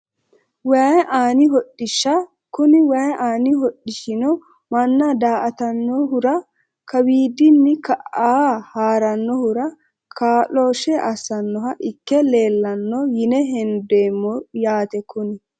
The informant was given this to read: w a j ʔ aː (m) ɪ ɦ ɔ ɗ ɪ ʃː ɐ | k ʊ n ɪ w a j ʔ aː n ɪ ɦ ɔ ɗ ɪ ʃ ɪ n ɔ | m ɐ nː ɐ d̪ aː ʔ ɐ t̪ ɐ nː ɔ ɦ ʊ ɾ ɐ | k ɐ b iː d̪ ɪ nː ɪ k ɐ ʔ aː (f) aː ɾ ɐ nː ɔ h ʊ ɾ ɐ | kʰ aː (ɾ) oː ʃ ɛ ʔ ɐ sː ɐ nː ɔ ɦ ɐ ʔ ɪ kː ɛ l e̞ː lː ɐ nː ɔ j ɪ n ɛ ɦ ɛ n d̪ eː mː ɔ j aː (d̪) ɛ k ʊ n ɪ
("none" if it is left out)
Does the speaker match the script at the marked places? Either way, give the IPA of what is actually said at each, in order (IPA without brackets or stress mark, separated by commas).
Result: n, h, l, t̪